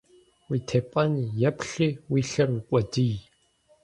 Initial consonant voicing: voiced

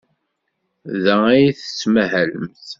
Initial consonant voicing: voiced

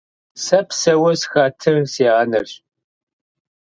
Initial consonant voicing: voiceless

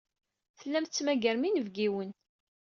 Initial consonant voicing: voiceless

